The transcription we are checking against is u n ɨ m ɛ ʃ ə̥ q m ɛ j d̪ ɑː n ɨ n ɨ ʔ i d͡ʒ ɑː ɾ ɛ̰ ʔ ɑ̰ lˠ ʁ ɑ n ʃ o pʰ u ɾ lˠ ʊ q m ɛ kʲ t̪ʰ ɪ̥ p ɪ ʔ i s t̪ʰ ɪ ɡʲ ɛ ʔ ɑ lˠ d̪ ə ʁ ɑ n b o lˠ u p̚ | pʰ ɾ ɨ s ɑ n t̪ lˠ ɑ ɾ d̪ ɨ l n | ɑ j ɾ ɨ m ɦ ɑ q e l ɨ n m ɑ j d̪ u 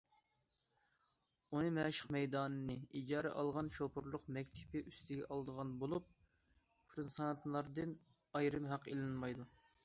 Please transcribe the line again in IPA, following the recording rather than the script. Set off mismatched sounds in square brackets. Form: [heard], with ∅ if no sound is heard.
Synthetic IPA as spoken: u n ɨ m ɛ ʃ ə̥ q m ɛ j d̪ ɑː n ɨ n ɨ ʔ i d͡ʒ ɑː ɾ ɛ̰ ʔ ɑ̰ lˠ ʁ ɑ n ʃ o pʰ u ɾ lˠ ʊ q m ɛ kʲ t̪ʰ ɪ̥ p ɪ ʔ [y] s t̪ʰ ɪ ɡʲ ɛ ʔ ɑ lˠ d̪ ə ʁ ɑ n b o lˠ u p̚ | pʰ ɾ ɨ s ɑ n t̪ lˠ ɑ ɾ d̪ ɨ [∅] n | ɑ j ɾ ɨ m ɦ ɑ q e l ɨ n m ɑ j d̪ u